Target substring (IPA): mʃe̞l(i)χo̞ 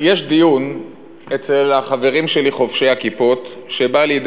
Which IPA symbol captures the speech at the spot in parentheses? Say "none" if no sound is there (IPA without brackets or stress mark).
i